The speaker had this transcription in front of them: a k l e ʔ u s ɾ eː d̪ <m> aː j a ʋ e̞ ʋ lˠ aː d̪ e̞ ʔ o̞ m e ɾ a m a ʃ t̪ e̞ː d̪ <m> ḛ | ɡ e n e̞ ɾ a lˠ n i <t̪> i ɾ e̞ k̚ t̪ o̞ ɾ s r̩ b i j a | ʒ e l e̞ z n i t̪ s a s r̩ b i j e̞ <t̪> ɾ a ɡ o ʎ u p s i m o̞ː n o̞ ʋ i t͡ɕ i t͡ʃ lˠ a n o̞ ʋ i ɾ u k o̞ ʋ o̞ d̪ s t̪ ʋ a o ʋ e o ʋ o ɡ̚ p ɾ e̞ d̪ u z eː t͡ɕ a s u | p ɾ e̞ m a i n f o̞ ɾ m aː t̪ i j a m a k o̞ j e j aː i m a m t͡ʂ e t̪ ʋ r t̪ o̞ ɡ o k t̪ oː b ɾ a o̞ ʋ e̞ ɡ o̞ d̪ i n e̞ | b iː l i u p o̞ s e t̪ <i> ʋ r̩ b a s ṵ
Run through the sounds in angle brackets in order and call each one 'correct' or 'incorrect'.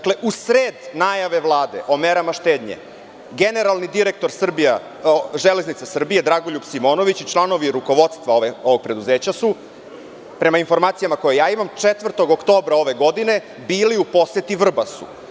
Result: incorrect: n, incorrect: ɲ, incorrect: d̪, incorrect: d̪, correct

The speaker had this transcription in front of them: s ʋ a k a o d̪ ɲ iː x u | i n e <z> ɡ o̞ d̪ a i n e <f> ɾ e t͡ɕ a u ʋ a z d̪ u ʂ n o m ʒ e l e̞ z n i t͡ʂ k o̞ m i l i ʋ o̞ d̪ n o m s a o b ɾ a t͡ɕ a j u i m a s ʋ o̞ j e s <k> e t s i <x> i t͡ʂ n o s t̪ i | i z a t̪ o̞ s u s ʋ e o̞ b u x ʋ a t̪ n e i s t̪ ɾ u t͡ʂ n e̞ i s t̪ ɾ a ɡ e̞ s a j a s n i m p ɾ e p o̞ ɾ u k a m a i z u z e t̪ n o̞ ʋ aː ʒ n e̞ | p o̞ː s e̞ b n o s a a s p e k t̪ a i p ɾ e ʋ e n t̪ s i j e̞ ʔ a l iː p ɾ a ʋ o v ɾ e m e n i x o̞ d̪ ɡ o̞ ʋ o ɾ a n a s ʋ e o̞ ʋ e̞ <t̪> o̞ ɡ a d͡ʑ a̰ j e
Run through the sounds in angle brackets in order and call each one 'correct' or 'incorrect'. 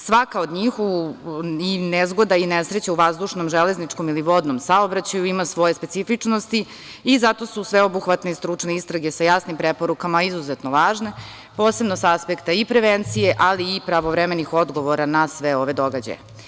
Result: correct, incorrect: s, incorrect: p, incorrect: f, incorrect: d̪

